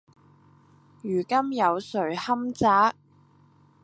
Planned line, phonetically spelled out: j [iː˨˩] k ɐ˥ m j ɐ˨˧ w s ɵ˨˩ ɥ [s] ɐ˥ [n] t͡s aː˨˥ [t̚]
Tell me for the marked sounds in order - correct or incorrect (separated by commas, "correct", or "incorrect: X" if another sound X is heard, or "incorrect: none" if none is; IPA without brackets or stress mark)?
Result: incorrect: yː˨˩, incorrect: h, incorrect: m, incorrect: k̚